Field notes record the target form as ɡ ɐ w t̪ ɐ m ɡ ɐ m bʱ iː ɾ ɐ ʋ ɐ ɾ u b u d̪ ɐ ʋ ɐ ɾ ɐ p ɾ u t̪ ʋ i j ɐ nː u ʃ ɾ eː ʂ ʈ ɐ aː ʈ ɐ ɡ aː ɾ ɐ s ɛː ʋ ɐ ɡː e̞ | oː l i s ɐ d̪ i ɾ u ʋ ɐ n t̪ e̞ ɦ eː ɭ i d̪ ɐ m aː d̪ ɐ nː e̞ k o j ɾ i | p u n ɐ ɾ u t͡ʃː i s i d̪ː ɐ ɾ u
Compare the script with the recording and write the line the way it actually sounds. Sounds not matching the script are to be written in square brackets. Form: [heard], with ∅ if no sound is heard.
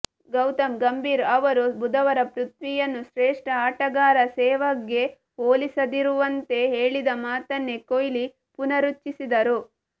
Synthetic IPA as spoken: ɡ ɐ w t̪ ɐ m ɡ ɐ m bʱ iː ɾ ɐ ʋ ɐ ɾ u b u d̪ ɐ ʋ ɐ ɾ ɐ p ɾ u t̪ ʋ i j ɐ nː u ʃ ɾ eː ʂ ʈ ɐ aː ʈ ɐ ɡ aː ɾ ɐ s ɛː ʋ ɐ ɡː e̞ | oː l i s ɐ d̪ i ɾ u ʋ ɐ n t̪ e̞ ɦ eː ɭ i d̪ ɐ m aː [t̪] ɐ nː e̞ k o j [l] i | p u n ɐ ɾ u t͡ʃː i s i [d̪] ɐ ɾ u